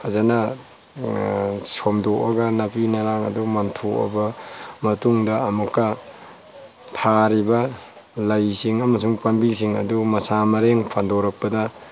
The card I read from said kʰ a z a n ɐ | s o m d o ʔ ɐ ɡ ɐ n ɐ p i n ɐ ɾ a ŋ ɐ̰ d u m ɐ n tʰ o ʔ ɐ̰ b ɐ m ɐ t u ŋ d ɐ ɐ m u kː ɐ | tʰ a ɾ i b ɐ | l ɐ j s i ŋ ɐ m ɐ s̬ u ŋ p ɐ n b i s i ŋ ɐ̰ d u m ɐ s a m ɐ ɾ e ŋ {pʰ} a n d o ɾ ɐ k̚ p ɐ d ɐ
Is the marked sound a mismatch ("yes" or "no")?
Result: no